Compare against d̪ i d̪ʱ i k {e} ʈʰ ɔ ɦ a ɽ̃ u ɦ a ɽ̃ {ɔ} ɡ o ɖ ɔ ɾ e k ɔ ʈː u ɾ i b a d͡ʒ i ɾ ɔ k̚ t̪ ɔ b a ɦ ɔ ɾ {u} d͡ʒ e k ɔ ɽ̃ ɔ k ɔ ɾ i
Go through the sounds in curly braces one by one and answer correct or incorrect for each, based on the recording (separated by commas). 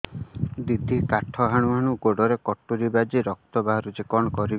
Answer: incorrect, incorrect, correct